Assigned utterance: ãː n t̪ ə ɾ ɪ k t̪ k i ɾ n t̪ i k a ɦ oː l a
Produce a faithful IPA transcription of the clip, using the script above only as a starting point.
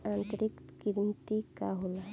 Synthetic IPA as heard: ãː n t̪ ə ɾ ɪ k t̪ k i ɾ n t̪ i k a ɦ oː l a